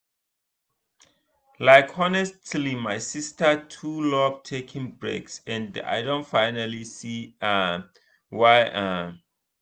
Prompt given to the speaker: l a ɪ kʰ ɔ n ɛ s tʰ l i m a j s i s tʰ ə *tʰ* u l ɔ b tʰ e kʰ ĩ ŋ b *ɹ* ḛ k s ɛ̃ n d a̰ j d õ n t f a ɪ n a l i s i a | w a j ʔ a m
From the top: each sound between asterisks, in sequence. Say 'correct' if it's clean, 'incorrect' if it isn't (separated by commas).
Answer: correct, correct